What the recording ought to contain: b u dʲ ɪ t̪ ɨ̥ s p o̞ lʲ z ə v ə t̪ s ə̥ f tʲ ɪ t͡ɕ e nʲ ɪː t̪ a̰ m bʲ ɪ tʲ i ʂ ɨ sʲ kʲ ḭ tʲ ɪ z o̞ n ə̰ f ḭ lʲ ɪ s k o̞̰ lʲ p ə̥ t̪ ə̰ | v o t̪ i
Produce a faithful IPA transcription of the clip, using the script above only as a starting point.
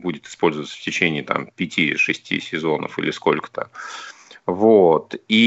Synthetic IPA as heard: b u dʲ ɪ t̪ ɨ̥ s p o̞ lʲ z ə v ə t̪ s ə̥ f tʲ ɪ t͡ɕ e nʲ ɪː t̪ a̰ m pʲ ɪ tʲ i ʂ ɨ sʲ tʲ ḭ sʲ ɪ z o̞ n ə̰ f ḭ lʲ ɪ s k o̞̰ lʲ k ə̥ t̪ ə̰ | v o t̪ i